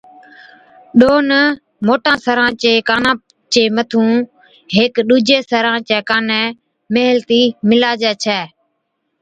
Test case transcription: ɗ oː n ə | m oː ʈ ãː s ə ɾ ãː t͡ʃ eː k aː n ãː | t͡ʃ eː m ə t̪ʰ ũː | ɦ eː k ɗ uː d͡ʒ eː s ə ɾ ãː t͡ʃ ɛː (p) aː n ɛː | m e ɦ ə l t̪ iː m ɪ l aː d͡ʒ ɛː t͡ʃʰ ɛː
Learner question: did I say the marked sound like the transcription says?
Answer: no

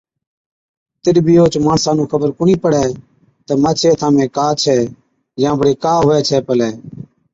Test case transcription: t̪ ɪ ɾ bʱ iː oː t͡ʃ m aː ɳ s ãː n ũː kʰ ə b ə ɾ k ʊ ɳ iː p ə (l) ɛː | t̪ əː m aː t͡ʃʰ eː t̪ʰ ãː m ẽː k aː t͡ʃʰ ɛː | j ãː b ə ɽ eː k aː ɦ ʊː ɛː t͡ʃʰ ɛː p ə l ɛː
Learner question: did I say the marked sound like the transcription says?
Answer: no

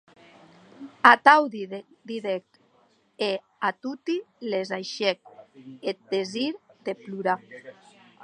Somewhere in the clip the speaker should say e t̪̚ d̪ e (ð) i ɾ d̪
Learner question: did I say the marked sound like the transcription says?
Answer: no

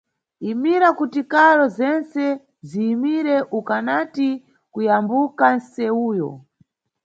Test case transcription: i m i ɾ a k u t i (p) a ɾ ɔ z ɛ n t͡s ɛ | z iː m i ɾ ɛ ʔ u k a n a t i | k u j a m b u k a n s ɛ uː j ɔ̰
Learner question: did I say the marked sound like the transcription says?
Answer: no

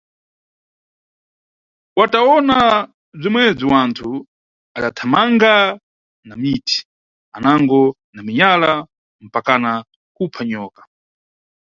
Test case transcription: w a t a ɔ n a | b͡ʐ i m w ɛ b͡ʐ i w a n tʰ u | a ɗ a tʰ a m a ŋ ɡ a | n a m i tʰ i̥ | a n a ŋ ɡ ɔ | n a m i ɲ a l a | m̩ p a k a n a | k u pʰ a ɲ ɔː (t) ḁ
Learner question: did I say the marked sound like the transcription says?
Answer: no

